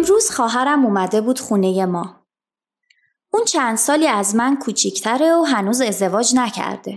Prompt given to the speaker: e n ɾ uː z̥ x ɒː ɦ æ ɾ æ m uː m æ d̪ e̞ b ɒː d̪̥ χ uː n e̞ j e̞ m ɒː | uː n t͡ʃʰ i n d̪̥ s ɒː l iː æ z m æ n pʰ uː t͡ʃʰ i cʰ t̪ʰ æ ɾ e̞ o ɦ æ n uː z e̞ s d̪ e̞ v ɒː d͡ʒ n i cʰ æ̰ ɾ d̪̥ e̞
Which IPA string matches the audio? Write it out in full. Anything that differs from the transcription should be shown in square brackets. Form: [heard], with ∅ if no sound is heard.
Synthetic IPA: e [m] ɾ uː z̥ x ɒː ɦ æ ɾ æ m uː m æ d̪ e̞ b [uː] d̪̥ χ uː n e̞ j e̞ m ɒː | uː n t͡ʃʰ [æ] n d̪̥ s ɒː l iː æ z m æ n [kʰ] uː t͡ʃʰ i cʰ t̪ʰ æ ɾ e̞ o ɦ æ n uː z e̞ [z] d̪ e̞ v ɒː d͡ʒ n [æ] cʰ æ̰ ɾ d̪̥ e̞